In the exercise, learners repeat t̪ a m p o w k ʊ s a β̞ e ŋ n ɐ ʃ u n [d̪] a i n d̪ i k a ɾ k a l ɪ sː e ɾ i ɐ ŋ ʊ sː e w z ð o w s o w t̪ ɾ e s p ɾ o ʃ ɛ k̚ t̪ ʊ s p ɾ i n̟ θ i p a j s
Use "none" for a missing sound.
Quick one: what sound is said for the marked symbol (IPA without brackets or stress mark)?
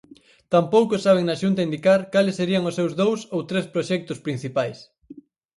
t̪